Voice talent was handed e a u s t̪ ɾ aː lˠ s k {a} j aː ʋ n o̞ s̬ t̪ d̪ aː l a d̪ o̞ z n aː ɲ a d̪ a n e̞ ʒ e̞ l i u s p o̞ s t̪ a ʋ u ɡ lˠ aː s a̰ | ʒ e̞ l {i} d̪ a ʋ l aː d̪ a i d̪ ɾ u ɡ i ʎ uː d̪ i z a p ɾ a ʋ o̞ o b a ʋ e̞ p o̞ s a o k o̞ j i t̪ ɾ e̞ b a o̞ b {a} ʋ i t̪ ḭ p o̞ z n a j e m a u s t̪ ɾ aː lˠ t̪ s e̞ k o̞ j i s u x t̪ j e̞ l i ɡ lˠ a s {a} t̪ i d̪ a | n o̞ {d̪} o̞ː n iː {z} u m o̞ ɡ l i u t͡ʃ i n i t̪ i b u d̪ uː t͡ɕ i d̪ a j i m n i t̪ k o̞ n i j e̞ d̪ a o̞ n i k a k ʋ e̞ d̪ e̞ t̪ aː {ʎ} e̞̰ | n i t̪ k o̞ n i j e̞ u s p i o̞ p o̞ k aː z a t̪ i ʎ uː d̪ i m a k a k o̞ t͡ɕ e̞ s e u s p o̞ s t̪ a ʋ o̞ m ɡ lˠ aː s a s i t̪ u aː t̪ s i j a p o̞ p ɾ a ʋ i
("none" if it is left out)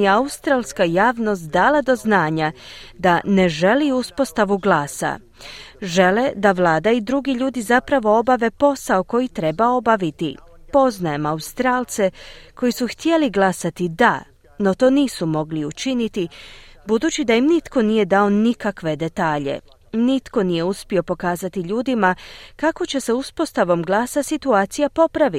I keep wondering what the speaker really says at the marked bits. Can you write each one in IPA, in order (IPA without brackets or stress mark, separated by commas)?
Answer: a, e, a, a, t̪, s, ʎ